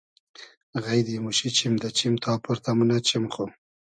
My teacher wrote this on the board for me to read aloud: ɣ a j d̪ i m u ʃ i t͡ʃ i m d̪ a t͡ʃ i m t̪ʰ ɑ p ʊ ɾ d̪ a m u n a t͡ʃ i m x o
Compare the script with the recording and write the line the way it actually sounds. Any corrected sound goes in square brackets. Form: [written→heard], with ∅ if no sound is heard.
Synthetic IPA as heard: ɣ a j d̪ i m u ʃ i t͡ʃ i m d̪ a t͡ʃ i m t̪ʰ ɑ p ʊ ɾ [d̪→t̪] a m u n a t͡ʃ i m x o

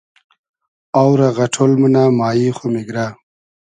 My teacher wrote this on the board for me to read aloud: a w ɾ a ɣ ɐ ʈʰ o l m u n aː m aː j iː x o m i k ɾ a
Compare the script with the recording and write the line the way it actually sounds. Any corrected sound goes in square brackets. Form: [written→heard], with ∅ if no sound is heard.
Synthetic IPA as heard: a w ɾ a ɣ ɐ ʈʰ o l m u n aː m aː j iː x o m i [k→ɡ] ɾ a

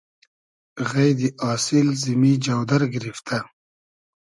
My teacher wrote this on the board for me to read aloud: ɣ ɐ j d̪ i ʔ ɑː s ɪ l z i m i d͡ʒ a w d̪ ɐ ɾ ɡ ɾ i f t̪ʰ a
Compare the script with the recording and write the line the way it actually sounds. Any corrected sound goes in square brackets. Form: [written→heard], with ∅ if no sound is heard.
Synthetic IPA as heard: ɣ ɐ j d̪ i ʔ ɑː s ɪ l z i m i d͡ʒ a w d̪ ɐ ɾ ɡ ɾ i f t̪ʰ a

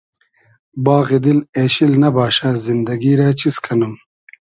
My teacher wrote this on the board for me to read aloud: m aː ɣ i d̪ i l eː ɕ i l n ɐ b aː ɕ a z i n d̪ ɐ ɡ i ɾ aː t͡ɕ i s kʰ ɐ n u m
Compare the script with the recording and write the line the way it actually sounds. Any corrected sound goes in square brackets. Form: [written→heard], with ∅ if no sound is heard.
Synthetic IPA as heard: [m→b] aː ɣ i d̪ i l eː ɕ i l n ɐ b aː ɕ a z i n d̪ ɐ ɡ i ɾ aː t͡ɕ i s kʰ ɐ n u m

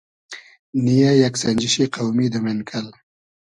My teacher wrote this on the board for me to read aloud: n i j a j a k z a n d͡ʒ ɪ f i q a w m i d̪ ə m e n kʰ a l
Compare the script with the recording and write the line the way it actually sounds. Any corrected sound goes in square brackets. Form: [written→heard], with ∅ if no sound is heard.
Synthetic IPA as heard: n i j a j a k [z→s] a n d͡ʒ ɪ [f→ʃ] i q a w m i d̪ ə m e n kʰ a l

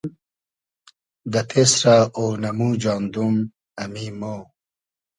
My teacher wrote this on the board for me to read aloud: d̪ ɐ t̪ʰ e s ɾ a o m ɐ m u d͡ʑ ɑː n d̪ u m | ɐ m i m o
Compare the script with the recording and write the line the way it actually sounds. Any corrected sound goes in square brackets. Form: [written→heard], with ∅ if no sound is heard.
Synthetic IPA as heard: d̪ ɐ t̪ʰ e s ɾ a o [m→n] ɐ m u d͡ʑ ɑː n d̪ u m | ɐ m i m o

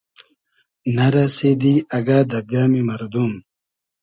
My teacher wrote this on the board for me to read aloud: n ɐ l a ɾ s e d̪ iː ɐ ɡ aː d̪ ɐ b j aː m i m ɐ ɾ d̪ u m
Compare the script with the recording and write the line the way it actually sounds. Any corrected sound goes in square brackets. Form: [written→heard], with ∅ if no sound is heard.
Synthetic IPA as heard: n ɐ [l→ɾ] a [ɾ→∅] s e d̪ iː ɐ ɡ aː d̪ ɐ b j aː m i m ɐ ɾ d̪ u m

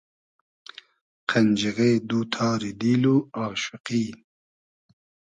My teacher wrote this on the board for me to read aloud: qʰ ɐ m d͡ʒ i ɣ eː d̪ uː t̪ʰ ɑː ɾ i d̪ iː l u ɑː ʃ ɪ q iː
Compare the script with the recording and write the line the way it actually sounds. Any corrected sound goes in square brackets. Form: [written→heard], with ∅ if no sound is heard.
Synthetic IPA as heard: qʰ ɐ [m→n] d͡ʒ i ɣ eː d̪ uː t̪ʰ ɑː ɾ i d̪ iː l u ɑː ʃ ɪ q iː

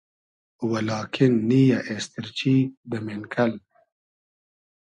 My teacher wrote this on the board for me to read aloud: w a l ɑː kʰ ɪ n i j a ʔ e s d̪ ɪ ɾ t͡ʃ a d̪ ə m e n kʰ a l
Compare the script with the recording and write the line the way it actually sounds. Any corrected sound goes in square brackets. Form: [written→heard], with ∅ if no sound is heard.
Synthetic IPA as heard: w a l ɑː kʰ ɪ [n→nː] i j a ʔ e s [d̪→t̪] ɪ ɾ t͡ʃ [a→i] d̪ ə m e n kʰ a l

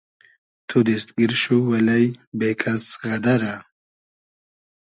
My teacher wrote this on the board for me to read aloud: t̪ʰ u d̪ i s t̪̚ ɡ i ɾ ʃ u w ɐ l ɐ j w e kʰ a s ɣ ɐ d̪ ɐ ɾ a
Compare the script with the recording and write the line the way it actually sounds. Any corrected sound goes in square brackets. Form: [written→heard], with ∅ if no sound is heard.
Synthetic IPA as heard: t̪ʰ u d̪ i s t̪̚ ɡ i ɾ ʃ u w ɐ l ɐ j [w→b] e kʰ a s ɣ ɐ d̪ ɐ ɾ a

